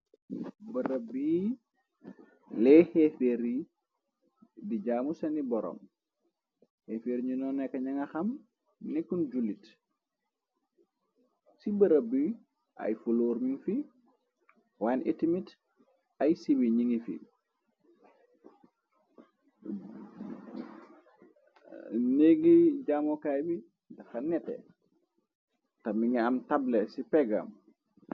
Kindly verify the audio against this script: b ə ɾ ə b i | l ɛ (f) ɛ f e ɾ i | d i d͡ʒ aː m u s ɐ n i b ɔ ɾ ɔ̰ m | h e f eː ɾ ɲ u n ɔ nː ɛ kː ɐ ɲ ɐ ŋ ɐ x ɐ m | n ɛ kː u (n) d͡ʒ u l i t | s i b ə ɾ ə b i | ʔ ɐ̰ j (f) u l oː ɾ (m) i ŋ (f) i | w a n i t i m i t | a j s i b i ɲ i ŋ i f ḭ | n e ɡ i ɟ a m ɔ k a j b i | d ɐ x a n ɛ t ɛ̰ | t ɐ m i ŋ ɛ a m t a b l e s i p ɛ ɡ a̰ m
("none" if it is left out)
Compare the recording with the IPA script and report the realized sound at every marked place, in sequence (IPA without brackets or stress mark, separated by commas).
h, n, f, m, f